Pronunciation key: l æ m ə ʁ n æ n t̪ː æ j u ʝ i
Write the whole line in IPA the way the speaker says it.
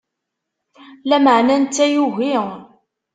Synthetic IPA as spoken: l æ m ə ʕ n æ n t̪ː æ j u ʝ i